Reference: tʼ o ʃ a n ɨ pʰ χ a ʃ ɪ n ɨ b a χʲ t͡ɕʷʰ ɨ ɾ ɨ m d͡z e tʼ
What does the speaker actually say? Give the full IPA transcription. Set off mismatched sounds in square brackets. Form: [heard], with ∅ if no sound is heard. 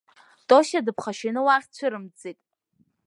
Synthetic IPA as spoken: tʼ o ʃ a [d] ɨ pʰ χ a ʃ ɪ n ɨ [w] a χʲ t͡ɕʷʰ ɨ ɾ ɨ m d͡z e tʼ